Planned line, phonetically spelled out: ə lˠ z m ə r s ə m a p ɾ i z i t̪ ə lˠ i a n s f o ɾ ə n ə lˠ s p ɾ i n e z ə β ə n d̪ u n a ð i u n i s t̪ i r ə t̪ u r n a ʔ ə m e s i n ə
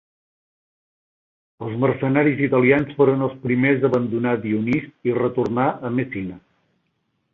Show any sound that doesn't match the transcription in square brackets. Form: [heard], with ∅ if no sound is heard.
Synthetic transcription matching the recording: ə lˠ z m ə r s ə [n] a [∅] ɾ i z i t̪ ə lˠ i a n s f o ɾ ə n ə lˠ s p ɾ i [m] e z ə β ə n d̪ u n a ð i u n i s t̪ i r ə t̪ u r n a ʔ ə m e s i n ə

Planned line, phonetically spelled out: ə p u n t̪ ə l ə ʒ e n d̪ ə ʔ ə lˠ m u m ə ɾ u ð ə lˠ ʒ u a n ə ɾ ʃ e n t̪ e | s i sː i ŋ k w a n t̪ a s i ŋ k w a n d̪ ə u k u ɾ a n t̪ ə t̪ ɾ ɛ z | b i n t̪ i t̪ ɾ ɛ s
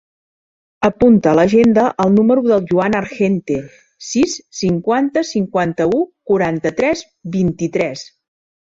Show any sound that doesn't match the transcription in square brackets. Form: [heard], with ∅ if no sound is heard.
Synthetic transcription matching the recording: ə p u n t̪ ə l ə ʒ e n d̪ ə ʔ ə lˠ [n] u m ə ɾ u ð ə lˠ ʒ u a n ə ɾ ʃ e n t̪ e | s i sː i ŋ k w a n t̪ [ə] s i ŋ k w a n [t̪] ə u k u ɾ a n t̪ ə t̪ ɾ ɛ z | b i n t̪ i t̪ ɾ ɛ s

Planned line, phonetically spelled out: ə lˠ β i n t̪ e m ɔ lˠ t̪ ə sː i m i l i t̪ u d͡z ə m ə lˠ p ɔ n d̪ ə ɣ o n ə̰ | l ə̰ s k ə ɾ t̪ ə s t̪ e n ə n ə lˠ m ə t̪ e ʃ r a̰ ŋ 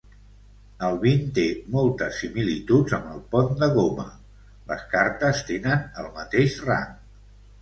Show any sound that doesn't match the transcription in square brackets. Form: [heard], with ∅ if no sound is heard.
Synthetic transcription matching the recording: ə lˠ β i n t̪ e m ɔ lˠ t̪ ə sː i m i l i t̪ u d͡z ə m ə lˠ p ɔ n d̪ ə ɣ o [m] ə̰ | l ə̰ s k [a] ɾ t̪ ə s t̪ e n ə n ə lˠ m ə t̪ e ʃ r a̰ ŋ

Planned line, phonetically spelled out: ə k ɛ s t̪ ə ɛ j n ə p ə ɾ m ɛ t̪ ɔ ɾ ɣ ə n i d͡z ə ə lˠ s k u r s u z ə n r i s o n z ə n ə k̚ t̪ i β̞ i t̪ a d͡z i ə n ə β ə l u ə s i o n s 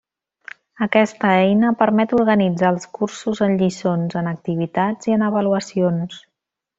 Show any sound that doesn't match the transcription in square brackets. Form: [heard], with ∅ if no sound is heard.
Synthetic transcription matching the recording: ə k ɛ s t̪ ə ɛ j n ə p ə ɾ m ɛ t̪ [u] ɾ ɣ ə n i d͡z [a] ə lˠ s k u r s u z ə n [ʎ] i s o n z ə n ə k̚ t̪ i β̞ i t̪ a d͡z i ə n ə β ə l u ə s i o n s

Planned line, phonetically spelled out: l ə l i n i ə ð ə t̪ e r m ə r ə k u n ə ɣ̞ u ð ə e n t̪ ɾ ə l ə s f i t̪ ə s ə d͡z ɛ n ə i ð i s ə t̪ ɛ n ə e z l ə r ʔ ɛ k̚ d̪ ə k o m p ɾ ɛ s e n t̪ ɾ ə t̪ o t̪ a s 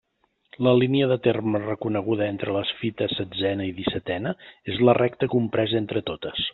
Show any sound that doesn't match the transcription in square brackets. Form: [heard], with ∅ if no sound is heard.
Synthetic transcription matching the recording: l ə l i n i ə ð ə t̪ e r m ə r ə k u n ə ɣ̞ u ð ə e n t̪ ɾ ə l ə s f i t̪ ə s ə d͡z ɛ n ə i ð i s ə t̪ ɛ n ə e z l ə r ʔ ɛ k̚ [t̪] ə k [u] m p ɾ ɛ [z] e n t̪ ɾ ə t̪ o t̪ [ə] s

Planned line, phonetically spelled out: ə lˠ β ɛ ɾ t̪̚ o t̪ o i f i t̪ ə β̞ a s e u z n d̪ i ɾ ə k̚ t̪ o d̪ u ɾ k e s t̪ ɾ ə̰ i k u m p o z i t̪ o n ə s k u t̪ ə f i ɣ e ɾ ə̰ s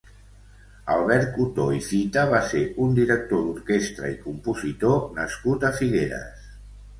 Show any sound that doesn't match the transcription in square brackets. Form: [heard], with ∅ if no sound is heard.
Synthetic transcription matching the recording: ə lˠ β ɛ ɾ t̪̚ [u] t̪ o i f i t̪ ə β̞ a s e u [∅] n d̪ i ɾ ə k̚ t̪ o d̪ u ɾ k e s t̪ ɾ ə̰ i k u m p [u] z i t̪ o n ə s k u t̪ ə f i ɣ e ɾ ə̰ s

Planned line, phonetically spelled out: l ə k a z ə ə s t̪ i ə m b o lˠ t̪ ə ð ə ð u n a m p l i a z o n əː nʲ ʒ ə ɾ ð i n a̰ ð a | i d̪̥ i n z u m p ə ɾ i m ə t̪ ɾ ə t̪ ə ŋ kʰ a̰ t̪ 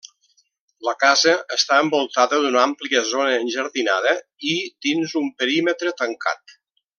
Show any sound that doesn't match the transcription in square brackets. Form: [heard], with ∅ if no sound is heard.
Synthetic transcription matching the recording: l ə k a z ə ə s t̪ [a] ə m b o lˠ t̪ [a] ð ə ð u n a m p l i [ə] z o n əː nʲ ʒ ə ɾ ð i n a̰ ð [ə] | i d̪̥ i n z u m p ə ɾ i m ə t̪ ɾ ə t̪ ə ŋ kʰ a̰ t̪

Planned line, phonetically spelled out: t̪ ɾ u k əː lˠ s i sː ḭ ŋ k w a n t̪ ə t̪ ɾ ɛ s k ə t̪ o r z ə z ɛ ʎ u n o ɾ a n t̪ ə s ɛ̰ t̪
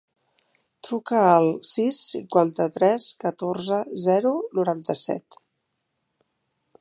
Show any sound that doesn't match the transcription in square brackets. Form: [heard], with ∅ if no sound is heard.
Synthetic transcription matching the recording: t̪ ɾ u k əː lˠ s i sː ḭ ŋ k w a n t̪ ə t̪ ɾ ɛ s k ə t̪ o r z ə z ɛ [ɾ] u n [u] ɾ a n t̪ ə s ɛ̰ t̪

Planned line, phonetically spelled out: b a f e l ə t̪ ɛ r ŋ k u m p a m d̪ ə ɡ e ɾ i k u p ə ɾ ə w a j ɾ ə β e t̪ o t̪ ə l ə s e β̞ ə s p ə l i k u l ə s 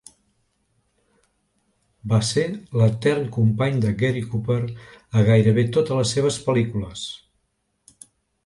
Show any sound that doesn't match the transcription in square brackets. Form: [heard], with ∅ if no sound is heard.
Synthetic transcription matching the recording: b a [s] e l ə t̪ ɛ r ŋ k u m p a [ɲ] d̪ ə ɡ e ɾ i k u p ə ɾ ə [ɣ] a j ɾ ə β e t̪ o t̪ ə l ə s e β̞ ə s p ə l i k u l ə s

